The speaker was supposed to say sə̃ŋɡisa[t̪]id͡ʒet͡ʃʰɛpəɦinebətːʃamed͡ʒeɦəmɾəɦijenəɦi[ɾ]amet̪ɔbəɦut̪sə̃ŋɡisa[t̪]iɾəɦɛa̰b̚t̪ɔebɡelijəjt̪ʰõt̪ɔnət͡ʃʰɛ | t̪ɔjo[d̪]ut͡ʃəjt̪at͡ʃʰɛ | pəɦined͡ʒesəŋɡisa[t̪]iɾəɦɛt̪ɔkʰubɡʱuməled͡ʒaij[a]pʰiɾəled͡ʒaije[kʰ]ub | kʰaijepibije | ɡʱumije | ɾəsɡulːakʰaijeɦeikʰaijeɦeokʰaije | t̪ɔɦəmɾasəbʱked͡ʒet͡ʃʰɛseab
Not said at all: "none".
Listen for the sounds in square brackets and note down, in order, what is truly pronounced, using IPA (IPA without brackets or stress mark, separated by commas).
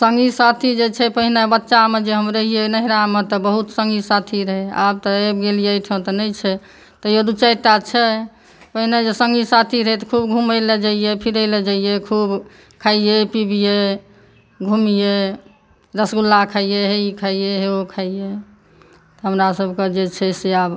t̪ʰ, ɾ, t̪ʰ, d̪, t̪ʰ, e, kʰ